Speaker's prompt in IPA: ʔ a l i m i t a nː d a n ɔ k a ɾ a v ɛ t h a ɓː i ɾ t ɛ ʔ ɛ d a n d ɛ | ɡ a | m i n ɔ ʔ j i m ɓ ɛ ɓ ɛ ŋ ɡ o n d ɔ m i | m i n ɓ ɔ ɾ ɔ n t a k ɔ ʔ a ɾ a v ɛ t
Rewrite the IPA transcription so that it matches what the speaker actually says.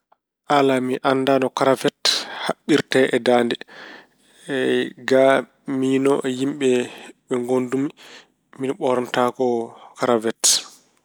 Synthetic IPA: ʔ a l a m i ʔ a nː d a n ɔ k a ɾ a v ɛ t h a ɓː i ɾ t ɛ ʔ ɛ d a n d ɛ | ɡ a | m i n ɔ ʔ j i m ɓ ɛ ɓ ɛ ŋ ɡ o n d u m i | m i n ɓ ɔ ɾ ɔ n t a k ɔ k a ɾ a v ɛ t